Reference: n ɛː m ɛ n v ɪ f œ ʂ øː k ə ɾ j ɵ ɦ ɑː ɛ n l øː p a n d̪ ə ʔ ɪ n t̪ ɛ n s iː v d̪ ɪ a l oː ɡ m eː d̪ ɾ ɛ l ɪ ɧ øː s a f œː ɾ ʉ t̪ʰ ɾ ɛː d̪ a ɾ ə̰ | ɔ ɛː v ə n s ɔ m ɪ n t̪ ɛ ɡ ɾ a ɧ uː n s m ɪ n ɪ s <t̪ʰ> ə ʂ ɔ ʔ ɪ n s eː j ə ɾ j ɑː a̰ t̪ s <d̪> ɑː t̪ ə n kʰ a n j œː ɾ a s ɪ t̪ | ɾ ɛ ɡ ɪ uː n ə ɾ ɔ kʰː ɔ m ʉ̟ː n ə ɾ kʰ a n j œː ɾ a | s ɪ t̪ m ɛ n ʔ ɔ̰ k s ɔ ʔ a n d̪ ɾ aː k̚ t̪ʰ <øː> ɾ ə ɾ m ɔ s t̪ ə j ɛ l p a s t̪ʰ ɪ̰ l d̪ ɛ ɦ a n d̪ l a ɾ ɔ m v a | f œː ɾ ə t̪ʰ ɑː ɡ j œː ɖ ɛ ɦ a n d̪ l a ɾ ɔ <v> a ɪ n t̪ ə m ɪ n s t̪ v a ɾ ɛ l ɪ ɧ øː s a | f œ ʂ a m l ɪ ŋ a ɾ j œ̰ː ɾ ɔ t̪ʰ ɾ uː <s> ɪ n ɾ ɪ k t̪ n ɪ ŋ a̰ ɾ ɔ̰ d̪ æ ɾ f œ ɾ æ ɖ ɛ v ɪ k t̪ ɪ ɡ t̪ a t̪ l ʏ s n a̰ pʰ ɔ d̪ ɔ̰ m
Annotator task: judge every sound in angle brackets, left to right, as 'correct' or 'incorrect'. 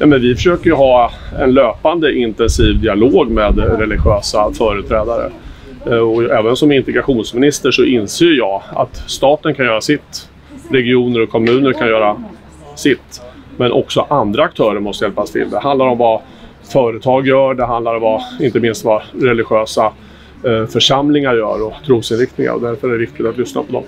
incorrect: t̪, incorrect: t̪, incorrect: œː, correct, correct

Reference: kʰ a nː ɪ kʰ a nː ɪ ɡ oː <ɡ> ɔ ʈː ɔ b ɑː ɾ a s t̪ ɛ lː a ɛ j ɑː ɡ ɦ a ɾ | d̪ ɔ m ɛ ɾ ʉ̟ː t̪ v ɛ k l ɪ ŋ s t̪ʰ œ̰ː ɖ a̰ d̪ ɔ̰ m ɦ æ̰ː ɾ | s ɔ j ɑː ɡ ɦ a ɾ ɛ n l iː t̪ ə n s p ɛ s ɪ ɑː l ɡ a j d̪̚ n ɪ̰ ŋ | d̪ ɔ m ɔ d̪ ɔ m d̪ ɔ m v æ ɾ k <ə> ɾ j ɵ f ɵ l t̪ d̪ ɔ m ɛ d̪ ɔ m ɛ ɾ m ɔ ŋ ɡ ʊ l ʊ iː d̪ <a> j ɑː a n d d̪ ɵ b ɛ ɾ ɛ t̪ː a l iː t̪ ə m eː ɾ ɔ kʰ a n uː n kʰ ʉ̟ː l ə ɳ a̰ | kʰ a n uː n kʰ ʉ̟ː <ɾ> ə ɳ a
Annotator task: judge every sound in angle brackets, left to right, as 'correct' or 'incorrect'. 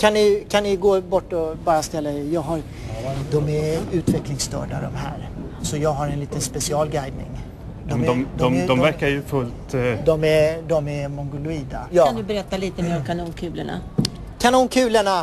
incorrect: b, incorrect: a, correct, incorrect: l

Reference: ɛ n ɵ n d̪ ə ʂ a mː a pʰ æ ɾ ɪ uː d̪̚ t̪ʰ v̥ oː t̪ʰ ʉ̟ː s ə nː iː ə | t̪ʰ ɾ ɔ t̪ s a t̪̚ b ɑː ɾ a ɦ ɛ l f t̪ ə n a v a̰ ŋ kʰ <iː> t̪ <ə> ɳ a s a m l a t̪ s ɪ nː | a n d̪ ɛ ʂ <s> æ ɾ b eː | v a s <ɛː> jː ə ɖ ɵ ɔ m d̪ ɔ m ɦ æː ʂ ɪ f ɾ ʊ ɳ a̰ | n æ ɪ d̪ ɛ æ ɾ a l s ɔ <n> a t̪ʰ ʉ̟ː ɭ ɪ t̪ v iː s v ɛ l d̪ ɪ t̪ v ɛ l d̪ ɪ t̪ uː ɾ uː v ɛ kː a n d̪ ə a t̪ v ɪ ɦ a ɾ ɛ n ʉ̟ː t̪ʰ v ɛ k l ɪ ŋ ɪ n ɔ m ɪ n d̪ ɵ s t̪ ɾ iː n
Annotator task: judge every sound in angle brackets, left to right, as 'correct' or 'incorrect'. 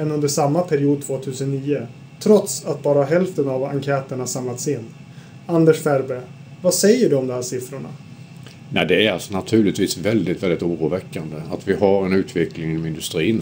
incorrect: ɛː, correct, incorrect: f, incorrect: ɛ, correct

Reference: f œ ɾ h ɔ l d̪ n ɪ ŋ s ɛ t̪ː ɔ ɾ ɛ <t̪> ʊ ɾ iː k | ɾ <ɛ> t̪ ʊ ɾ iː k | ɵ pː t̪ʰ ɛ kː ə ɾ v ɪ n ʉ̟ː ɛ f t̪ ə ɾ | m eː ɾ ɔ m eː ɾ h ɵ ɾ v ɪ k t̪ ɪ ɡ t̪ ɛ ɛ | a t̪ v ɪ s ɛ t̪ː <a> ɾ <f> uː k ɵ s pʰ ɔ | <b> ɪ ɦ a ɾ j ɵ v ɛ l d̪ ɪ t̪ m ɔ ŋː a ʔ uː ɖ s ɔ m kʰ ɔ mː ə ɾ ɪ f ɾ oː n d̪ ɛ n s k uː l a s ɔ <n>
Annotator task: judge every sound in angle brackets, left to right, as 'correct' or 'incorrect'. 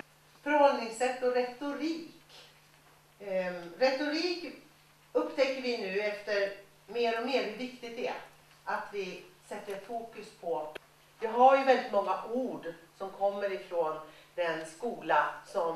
correct, correct, incorrect: ə, correct, incorrect: v, incorrect: m

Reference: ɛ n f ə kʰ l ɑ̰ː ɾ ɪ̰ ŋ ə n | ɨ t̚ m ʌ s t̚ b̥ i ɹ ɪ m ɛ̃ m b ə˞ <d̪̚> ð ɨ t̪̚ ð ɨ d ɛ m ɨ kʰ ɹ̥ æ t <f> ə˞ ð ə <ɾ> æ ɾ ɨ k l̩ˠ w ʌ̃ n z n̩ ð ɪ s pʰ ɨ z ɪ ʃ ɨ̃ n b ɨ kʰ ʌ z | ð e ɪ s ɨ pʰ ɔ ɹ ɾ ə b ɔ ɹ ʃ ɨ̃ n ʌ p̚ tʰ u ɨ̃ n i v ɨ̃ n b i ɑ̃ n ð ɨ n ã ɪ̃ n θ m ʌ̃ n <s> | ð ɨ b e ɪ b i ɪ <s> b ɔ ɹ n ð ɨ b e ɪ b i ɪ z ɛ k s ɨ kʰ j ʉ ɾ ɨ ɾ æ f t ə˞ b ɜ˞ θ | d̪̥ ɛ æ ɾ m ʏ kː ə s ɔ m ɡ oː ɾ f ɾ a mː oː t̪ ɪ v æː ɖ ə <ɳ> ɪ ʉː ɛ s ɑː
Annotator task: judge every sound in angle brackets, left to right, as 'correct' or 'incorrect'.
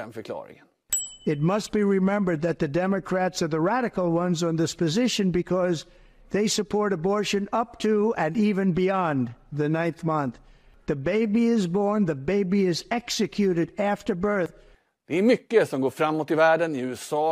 correct, incorrect: s, incorrect: ɹ, incorrect: θ, incorrect: z, incorrect: n

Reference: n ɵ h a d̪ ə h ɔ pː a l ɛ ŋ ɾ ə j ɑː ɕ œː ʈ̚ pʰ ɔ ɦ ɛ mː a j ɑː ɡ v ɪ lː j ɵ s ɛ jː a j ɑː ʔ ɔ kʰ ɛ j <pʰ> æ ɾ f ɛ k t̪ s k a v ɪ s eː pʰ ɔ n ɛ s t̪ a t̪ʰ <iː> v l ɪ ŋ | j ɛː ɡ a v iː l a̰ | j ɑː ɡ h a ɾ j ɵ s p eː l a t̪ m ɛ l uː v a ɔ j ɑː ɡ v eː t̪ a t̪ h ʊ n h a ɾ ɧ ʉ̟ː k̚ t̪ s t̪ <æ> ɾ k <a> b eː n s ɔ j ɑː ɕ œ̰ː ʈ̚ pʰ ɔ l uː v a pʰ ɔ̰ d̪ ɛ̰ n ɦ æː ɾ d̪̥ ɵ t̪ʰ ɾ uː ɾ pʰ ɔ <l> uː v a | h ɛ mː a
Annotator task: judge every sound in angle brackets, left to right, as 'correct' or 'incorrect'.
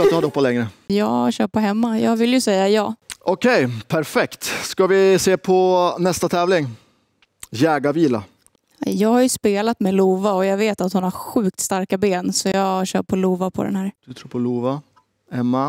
correct, incorrect: ɛː, incorrect: a, correct, correct

